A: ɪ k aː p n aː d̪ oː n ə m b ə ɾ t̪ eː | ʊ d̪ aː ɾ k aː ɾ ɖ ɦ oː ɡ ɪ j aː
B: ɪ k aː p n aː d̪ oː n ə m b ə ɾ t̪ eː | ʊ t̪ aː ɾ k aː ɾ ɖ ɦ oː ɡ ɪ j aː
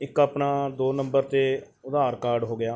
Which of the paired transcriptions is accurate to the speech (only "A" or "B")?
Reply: A